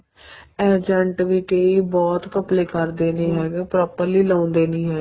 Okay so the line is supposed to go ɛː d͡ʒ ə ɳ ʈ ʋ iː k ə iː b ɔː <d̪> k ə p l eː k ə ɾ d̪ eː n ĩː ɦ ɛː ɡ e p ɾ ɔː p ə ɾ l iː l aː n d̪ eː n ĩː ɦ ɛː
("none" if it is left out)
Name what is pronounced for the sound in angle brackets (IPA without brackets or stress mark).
t̪